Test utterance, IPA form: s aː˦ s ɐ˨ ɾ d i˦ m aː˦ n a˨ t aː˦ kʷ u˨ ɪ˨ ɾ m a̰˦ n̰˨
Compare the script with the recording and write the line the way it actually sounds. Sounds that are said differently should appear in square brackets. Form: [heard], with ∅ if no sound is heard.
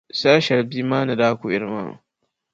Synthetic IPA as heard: s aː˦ [ʃ] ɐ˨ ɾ [b] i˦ m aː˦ n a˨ [d] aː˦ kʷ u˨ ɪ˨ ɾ m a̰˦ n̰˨